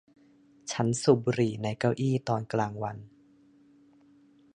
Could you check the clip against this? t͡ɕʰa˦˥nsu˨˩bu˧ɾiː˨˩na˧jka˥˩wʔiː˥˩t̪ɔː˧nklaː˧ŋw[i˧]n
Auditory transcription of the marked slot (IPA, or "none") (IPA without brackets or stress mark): a˧